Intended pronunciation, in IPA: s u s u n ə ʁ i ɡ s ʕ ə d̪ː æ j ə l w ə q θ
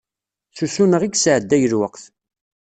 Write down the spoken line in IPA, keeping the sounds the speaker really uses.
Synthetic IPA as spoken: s u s u n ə ʁ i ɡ s ʕ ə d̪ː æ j ə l w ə q θ